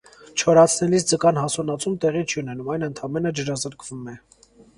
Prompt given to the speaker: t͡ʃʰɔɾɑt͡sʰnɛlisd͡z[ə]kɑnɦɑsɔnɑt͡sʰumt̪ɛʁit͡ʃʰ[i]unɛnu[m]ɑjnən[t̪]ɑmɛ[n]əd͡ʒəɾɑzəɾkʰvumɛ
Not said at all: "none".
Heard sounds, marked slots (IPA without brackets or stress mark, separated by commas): ə, i, m, t̪ʰ, n